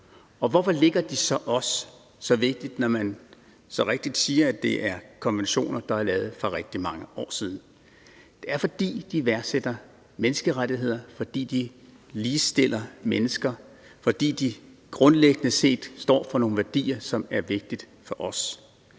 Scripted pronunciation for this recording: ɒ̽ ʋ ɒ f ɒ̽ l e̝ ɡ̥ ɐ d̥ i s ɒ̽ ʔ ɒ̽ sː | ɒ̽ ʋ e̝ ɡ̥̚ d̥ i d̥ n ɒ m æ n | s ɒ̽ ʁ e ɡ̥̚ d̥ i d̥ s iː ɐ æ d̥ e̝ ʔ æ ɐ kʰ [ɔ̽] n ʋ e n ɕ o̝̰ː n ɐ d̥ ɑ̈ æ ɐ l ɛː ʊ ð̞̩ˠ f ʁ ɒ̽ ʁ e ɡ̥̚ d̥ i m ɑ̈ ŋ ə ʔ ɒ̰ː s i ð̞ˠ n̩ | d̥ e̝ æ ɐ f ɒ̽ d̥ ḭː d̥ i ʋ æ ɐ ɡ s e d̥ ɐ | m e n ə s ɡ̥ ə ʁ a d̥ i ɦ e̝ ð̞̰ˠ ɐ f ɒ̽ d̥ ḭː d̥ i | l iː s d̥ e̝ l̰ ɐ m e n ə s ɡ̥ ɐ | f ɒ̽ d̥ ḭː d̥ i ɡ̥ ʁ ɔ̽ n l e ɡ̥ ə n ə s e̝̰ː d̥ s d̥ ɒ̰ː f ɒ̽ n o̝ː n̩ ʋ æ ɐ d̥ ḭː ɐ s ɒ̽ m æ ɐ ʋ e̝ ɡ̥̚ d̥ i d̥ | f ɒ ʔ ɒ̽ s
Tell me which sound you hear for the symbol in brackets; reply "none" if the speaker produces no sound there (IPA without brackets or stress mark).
ɒ̽